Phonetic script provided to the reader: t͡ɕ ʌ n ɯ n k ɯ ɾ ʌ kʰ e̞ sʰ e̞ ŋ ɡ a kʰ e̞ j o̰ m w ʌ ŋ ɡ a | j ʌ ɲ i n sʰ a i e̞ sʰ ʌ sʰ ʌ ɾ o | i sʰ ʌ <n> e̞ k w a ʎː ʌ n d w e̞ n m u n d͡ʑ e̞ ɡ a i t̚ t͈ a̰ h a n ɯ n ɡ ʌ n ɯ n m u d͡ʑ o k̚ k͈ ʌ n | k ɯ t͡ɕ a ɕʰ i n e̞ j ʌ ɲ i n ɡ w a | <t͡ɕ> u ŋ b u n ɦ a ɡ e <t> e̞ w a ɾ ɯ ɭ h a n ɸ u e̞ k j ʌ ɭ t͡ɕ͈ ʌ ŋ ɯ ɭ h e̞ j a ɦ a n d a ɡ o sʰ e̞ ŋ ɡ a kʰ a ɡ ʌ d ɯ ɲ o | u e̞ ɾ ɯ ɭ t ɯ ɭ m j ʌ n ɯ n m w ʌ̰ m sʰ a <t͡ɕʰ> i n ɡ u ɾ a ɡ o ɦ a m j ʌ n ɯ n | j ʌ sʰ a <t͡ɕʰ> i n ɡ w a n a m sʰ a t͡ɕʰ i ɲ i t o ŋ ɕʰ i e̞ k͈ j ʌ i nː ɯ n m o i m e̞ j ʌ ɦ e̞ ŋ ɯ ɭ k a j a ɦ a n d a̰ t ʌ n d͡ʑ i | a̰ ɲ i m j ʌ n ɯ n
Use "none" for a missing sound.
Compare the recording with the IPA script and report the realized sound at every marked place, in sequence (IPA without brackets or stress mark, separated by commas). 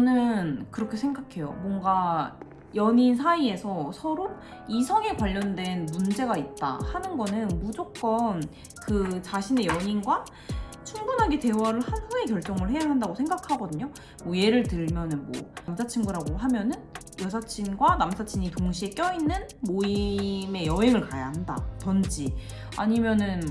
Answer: ŋ, t͡ɕʰ, t, t͡ɕʰ, t͡ɕʰ